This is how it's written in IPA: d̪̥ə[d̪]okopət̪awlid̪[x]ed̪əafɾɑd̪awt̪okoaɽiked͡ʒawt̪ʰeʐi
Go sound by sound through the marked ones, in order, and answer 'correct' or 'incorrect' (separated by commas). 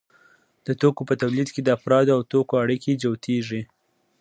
incorrect, incorrect